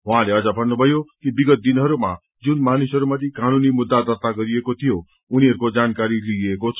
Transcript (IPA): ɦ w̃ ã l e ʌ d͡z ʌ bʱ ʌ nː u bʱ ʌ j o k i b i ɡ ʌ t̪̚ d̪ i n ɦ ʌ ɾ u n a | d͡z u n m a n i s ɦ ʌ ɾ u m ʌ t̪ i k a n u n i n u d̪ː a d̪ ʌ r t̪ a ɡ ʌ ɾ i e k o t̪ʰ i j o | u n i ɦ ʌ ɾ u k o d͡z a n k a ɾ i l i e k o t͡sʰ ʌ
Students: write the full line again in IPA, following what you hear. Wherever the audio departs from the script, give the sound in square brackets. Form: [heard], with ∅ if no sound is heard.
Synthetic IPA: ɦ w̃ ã l e ʌ d͡z ʌ bʱ ʌ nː u bʱ ʌ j o k i b i ɡ ʌ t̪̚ d̪ i n ɦ ʌ ɾ u [m] a | d͡z u n m a n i s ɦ ʌ ɾ u m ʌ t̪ i k a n u n i [m] u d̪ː a d̪ ʌ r t̪ a ɡ ʌ ɾ i e k o t̪ʰ i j o | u n i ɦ ʌ ɾ u k o d͡z a n k a ɾ i l i e k o t͡sʰ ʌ